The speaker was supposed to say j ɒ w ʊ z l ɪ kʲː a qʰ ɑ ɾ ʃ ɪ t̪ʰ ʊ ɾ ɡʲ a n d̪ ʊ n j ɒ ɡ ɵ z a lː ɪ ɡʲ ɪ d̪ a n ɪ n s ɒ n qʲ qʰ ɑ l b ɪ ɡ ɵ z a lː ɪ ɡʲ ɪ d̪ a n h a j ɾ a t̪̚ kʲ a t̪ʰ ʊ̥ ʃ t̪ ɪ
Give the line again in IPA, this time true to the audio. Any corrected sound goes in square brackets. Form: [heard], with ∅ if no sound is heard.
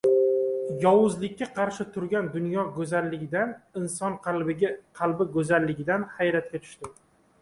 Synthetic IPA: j ɒ w ʊ z l ɪ kʲː a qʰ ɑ ɾ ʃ ɪ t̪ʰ ʊ ɾ ɡʲ a n d̪ ʊ n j ɒ ɡ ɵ z a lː ɪ ɡʲ ɪ d̪ a n ɪ n s ɒ n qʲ qʰ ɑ l b ɪ ɡ ɵ z a lː ɪ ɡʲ ɪ d̪ a n h a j ɾ a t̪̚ kʲ a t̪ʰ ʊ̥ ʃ t̪ ɪ